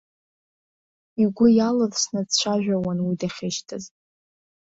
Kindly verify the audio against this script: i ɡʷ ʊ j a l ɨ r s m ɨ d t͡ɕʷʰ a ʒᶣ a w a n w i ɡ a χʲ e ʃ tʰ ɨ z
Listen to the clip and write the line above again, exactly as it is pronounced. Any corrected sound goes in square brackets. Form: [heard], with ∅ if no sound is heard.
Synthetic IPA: i ɡʷ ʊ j a l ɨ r s [n] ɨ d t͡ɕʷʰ a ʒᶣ a w a n w i [d] a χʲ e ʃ tʰ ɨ z